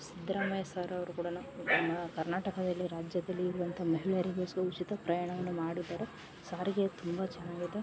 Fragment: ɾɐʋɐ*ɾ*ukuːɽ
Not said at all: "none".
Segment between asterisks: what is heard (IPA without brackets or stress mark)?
ɾ